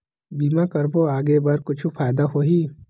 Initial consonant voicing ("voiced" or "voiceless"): voiced